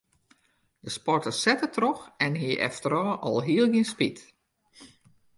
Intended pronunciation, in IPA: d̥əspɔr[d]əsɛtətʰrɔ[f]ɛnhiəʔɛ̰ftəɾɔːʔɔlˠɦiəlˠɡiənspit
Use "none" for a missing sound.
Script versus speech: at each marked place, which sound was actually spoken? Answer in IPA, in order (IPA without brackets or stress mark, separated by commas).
t, x